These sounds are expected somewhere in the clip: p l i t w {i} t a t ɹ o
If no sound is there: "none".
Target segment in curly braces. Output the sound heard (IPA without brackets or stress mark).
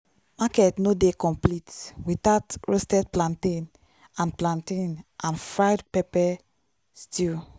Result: i